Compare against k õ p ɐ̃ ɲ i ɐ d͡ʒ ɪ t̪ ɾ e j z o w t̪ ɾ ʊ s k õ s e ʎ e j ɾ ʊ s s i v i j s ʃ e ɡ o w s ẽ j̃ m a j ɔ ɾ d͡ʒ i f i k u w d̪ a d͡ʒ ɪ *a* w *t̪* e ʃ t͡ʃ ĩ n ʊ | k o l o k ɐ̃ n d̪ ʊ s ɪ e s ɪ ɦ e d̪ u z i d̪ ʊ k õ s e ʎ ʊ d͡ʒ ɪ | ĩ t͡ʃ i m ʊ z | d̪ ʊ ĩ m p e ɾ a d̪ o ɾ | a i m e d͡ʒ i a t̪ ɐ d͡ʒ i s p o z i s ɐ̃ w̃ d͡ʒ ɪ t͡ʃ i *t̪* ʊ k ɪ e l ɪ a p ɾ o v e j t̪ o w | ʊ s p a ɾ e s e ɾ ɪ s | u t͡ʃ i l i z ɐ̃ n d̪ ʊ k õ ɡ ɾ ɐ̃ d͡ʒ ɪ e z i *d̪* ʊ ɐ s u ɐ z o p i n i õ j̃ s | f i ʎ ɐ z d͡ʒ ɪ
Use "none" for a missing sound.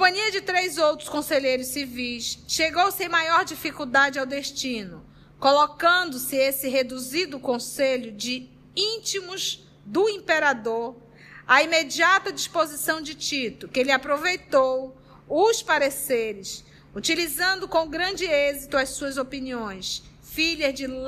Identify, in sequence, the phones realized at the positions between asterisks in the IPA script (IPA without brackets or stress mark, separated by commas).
a, d̪, t̪, t̪